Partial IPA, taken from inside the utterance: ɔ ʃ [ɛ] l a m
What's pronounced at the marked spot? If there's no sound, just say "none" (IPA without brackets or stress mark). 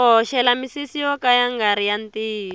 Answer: ɛ